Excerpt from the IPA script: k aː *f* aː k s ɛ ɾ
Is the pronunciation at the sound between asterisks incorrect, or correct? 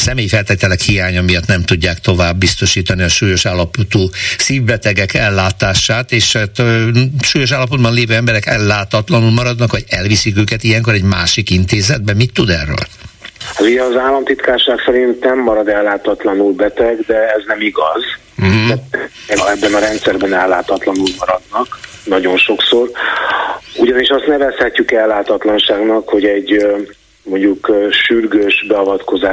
incorrect